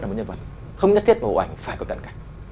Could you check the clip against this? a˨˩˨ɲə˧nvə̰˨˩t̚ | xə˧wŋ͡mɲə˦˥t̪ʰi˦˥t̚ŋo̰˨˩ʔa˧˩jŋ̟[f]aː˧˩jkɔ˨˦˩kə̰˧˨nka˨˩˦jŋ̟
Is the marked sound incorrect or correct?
correct